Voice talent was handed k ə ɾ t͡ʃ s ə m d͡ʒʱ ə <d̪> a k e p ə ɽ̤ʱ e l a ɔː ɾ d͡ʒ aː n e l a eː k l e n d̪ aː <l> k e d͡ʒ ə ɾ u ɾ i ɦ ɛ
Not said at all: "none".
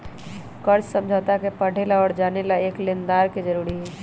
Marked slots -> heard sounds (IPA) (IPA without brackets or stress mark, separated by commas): t̪, ɾ